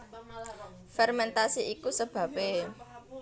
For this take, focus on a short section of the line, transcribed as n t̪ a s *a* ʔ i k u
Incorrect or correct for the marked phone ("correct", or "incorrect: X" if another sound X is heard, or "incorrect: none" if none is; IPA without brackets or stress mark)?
incorrect: i